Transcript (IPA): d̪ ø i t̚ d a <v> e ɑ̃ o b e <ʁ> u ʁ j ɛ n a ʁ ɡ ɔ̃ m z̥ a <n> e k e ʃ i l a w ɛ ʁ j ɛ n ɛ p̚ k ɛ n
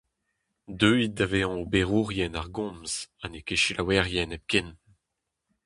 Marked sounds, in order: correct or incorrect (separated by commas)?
correct, correct, correct